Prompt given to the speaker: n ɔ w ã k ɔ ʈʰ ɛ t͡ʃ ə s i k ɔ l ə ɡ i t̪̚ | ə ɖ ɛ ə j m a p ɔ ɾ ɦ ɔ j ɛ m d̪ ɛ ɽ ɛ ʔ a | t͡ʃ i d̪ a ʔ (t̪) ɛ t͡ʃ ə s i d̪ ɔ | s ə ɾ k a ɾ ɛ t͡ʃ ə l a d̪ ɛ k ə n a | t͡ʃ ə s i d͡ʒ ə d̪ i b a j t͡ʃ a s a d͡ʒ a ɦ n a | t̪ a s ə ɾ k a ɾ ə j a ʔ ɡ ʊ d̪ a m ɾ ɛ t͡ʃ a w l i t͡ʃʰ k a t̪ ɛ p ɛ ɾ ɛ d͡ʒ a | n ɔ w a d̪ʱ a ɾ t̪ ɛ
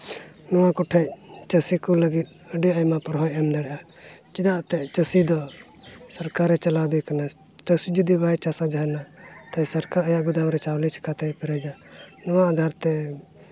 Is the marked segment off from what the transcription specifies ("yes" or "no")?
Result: no